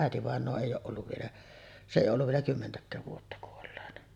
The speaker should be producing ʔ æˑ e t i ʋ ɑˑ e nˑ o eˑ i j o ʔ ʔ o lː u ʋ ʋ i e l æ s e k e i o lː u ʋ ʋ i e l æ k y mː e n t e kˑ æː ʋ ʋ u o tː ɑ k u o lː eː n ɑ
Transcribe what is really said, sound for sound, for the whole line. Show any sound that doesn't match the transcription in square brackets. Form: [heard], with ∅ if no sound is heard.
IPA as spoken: ʔ æˑ e t i ʋ ɑˑ e nˑ [oː] eˑ i j [oː] ʔ ʔ o lː u ʋ ʋ i e l æ s e [ʔ] e i o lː u ʋ ʋ i e l æ k y mː e n t [æ] kˑ æː ʋ ʋ u o tː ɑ k u o lː eː n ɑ